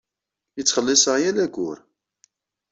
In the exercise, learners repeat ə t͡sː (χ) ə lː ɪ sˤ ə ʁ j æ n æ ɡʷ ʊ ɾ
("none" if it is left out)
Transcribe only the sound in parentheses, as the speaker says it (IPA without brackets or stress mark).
χ